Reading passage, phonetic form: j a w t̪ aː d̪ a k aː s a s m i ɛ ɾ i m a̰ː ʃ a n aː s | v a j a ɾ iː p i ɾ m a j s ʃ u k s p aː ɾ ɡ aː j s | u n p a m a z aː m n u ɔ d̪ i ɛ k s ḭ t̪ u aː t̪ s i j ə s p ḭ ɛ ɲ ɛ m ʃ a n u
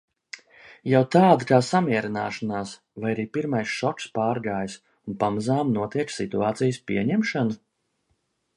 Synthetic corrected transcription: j a w t̪ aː d̪ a k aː s a m i ɛ ɾ i n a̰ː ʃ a n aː s | v a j a ɾ iː p i ɾ m a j s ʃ ɔ k s p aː ɾ ɡ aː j s | u n p a m a z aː m n u ɔ t̪ i ɛ k s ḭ t̪ u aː t̪ s i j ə s p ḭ ɛ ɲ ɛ m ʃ a n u